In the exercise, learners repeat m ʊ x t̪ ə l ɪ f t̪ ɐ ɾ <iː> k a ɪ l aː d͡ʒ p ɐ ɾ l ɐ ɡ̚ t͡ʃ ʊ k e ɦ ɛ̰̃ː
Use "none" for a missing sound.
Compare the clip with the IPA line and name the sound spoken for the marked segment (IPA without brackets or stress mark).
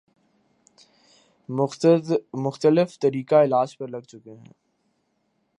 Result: iː